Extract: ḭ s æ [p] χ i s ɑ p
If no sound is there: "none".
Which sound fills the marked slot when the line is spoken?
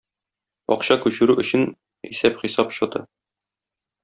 p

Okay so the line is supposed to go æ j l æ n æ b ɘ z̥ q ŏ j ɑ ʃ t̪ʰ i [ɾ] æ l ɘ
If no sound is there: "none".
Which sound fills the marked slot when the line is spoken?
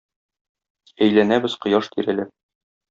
ɾ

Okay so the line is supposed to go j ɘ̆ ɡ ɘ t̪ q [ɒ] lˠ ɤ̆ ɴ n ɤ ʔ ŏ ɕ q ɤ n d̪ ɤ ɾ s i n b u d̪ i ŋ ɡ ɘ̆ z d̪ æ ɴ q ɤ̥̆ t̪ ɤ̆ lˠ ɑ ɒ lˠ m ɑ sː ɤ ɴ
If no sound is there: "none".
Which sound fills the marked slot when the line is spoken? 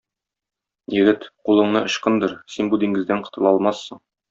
u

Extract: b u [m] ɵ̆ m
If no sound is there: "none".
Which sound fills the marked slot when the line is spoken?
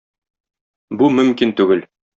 m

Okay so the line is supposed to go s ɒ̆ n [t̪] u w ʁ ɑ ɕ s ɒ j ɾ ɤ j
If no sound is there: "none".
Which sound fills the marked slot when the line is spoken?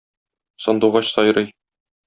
d̪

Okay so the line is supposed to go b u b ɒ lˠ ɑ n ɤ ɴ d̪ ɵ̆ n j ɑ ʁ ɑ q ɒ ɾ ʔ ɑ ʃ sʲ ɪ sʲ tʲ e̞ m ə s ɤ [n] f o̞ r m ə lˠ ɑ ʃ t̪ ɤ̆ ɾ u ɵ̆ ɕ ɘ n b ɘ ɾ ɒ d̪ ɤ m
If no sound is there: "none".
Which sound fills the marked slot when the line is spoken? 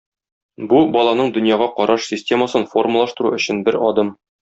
n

